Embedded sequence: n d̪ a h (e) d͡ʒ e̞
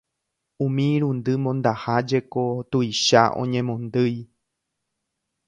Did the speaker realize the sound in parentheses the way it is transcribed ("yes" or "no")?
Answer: no